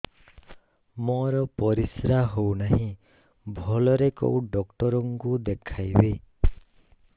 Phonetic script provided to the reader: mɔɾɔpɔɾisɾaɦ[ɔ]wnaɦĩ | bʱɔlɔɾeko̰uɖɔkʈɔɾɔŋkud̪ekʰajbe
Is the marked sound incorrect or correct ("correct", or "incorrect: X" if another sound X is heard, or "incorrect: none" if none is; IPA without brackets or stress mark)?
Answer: incorrect: o